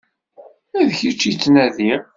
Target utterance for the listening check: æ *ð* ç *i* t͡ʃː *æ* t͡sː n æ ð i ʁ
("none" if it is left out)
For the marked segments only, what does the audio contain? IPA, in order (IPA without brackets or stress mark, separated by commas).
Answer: ð, i, i